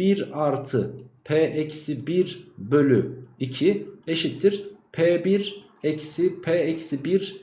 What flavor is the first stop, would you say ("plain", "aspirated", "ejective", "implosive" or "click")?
aspirated